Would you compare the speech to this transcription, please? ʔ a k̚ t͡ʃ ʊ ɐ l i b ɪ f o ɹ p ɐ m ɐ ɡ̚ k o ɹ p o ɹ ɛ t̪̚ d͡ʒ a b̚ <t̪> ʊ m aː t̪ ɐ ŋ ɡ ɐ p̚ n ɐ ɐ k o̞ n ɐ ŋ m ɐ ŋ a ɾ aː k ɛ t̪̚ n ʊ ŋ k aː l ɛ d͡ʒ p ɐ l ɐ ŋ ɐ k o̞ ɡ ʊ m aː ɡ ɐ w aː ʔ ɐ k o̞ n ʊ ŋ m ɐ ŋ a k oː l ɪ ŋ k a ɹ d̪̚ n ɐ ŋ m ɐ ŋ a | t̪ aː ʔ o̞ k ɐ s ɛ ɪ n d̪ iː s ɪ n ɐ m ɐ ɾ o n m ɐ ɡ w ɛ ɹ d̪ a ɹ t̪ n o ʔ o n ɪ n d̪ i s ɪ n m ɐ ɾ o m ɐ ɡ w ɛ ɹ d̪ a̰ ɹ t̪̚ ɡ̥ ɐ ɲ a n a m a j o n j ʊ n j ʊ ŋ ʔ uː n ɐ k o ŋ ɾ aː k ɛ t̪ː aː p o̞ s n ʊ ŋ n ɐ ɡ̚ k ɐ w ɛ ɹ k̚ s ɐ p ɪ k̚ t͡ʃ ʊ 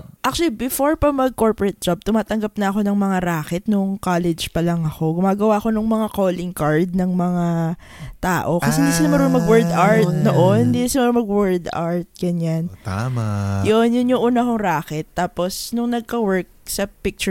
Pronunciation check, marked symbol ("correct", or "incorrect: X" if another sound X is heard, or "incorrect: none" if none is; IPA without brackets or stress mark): correct